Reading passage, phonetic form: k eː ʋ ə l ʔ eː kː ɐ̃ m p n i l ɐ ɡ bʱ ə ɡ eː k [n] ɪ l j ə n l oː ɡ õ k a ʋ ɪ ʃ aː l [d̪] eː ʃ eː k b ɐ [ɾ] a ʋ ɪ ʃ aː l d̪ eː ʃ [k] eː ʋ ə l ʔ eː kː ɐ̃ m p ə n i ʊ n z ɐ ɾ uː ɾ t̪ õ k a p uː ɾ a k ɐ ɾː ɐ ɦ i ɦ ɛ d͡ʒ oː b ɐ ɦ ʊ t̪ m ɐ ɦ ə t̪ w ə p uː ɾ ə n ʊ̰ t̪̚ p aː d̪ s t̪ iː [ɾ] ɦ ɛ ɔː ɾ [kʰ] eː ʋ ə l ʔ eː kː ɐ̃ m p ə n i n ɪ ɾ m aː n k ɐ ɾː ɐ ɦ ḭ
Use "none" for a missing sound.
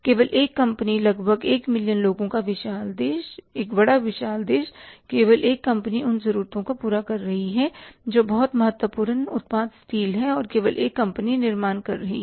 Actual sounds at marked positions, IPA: m, d̪, ɽ, k, l, k

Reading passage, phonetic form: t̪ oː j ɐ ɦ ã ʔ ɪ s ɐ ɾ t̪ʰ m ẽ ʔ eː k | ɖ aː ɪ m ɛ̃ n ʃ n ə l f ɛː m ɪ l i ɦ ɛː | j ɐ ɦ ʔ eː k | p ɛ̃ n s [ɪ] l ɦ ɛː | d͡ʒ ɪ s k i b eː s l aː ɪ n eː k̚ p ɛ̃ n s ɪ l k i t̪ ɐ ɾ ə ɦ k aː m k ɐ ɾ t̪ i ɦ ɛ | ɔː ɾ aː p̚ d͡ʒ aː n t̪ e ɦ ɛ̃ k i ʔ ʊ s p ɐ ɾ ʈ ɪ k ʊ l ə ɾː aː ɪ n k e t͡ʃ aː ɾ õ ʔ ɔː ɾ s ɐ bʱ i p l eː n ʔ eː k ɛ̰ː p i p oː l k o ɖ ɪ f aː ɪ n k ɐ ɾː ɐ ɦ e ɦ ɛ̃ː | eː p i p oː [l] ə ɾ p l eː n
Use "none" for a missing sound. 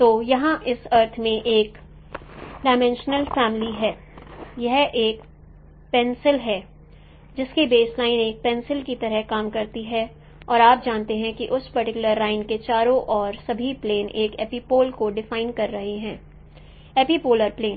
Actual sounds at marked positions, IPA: ɪ, l

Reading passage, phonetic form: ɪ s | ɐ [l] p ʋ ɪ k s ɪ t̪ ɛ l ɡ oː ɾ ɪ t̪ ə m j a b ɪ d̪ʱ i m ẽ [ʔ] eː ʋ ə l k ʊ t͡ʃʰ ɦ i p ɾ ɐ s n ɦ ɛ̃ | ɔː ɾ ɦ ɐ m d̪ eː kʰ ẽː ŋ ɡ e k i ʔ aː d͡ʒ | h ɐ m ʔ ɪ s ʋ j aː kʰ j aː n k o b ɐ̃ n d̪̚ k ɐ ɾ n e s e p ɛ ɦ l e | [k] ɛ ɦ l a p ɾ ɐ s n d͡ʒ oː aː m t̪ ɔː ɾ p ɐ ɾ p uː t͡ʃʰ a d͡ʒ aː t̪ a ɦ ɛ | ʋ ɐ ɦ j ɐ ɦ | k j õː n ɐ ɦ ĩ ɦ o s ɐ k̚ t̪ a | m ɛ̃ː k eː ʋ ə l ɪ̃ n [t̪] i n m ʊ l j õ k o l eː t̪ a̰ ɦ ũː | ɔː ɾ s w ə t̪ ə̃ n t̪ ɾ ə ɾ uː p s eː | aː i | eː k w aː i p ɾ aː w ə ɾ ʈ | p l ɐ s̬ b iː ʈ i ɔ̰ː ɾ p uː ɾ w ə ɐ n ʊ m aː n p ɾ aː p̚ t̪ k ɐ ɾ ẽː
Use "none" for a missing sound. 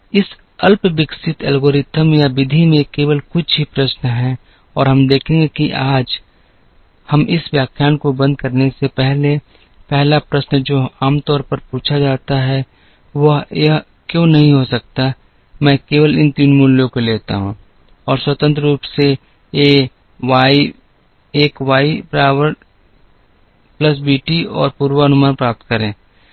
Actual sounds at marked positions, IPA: l, k, p, t̪

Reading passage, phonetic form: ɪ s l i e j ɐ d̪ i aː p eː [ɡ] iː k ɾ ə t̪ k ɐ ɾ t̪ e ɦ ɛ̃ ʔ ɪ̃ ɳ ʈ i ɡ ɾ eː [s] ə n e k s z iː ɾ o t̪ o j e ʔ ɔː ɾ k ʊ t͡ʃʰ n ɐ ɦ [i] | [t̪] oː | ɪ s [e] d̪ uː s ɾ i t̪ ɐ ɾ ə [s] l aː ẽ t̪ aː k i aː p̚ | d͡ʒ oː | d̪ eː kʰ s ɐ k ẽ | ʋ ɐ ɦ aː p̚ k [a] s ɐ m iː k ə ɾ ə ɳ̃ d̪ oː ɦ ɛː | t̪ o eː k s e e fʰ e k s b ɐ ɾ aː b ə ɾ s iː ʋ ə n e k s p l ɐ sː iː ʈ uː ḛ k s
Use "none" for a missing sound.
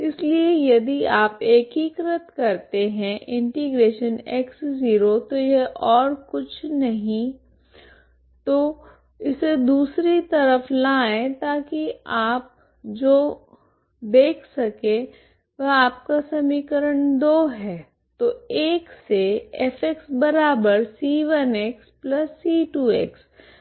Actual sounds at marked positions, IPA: k, ʃ, ĩ, t̪, e, f, a

